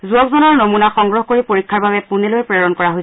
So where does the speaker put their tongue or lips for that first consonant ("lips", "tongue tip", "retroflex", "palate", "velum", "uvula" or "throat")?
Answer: tongue tip